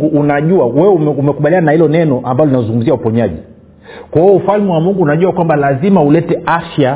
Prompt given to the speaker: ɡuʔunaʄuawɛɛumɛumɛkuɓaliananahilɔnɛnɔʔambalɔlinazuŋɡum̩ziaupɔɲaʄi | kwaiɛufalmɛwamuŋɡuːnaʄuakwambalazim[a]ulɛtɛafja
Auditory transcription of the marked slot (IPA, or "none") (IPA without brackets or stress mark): a